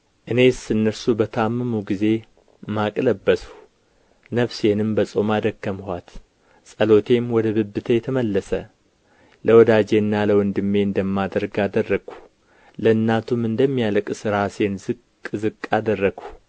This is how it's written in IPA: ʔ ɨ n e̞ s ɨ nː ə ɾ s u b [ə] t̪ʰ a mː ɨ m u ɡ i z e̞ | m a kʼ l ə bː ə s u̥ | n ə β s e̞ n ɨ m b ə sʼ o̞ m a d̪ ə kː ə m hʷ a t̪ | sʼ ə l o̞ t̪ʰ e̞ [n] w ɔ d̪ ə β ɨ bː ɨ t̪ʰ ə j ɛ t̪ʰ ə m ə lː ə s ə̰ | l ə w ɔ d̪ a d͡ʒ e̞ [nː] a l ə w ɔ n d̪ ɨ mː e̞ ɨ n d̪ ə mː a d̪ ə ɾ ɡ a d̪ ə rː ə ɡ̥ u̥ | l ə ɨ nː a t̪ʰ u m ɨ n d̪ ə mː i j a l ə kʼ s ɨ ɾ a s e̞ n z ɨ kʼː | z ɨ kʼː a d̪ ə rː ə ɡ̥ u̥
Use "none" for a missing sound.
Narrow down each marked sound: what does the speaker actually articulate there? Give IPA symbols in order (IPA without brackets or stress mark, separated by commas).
ə, m, nː